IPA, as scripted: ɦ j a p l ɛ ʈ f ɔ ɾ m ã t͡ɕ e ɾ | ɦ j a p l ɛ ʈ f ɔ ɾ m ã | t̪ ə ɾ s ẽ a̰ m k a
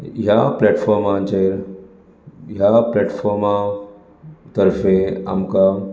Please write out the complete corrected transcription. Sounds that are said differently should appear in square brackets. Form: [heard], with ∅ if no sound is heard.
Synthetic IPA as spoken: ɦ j a p l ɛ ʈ f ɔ ɾ m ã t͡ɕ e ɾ | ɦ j a p l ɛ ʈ f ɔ ɾ m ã | t̪ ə ɾ [f] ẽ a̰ m k a